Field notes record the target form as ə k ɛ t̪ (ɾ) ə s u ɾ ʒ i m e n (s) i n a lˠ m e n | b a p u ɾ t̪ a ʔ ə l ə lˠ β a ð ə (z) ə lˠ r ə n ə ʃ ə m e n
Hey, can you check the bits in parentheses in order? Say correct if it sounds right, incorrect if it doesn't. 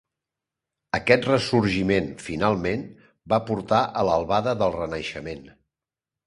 incorrect, incorrect, incorrect

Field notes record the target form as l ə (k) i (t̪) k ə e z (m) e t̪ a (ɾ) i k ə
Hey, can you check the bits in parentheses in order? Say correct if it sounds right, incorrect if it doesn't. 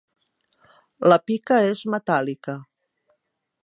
incorrect, incorrect, correct, incorrect

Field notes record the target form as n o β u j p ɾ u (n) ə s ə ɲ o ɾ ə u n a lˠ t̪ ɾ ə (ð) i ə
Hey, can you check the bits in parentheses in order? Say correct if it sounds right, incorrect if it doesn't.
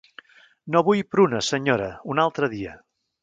correct, correct

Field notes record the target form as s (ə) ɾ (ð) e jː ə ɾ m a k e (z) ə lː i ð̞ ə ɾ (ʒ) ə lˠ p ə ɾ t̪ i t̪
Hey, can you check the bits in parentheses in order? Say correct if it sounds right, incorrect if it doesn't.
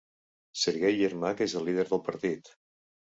correct, incorrect, correct, incorrect

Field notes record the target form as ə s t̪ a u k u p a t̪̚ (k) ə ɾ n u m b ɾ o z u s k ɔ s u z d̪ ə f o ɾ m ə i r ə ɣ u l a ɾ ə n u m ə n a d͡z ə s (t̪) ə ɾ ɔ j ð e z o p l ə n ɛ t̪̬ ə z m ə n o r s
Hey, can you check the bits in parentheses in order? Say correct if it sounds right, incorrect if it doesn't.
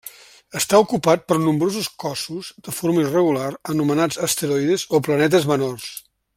incorrect, correct

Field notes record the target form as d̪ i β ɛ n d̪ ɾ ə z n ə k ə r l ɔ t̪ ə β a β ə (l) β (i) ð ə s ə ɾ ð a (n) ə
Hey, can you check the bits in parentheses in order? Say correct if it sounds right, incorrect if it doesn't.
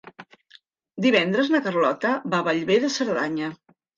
incorrect, incorrect, incorrect

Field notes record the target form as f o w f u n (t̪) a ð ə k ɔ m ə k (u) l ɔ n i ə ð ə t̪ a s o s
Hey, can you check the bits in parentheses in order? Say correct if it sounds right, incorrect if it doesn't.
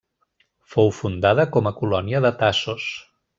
incorrect, correct

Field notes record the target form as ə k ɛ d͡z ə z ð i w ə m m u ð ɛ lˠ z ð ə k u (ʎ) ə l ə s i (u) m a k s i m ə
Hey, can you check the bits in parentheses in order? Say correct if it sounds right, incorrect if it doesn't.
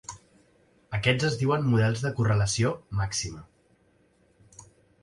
incorrect, incorrect

